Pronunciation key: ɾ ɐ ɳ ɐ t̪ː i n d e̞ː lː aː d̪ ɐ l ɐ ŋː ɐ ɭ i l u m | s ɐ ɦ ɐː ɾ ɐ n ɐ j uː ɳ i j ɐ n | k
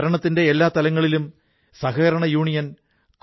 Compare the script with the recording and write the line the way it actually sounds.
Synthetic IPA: ɾ ɐ ɳ ɐ t̪ː i n d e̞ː lː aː t̪ ɐ l ɐ ŋː ɐ ɭ i l u m | s ɐ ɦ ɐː ɾ ɐ ɳ ɐ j uː ɳ i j ɐ n | k